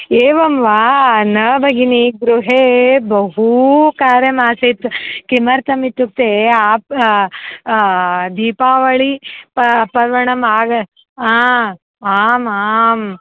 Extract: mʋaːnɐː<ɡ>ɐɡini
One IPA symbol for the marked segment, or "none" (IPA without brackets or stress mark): b